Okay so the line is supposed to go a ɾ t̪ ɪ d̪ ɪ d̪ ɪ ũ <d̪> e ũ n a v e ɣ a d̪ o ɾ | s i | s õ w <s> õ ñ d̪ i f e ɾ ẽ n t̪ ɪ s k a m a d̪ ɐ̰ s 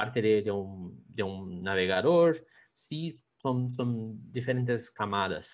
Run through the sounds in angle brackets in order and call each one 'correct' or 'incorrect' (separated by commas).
correct, correct